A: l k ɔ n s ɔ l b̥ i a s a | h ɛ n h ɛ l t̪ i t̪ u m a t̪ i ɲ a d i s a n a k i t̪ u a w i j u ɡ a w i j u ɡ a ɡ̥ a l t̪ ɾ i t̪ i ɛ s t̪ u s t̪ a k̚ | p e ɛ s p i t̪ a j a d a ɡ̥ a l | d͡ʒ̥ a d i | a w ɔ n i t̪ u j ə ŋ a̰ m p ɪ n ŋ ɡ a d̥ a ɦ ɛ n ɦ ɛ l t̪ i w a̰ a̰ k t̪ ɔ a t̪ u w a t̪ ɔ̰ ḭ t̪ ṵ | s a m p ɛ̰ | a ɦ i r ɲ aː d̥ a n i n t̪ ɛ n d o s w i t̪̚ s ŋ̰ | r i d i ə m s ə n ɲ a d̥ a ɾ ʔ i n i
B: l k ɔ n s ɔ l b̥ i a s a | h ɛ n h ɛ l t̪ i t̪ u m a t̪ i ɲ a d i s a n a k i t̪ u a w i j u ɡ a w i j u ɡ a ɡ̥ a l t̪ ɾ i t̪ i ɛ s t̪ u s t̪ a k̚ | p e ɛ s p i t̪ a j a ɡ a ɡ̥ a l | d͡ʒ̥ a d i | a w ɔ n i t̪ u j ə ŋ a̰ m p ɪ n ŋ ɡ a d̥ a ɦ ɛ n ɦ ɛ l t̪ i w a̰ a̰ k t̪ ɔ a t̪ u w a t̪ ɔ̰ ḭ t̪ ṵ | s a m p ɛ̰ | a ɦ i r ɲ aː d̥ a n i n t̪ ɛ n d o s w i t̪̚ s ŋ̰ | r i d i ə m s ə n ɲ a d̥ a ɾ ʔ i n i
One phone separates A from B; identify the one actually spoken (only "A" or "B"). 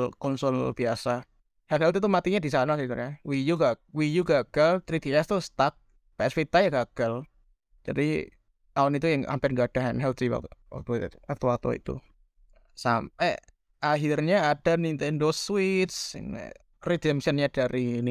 B